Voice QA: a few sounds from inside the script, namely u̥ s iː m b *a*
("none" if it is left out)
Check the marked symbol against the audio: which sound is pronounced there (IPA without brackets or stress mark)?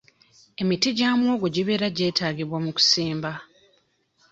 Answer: a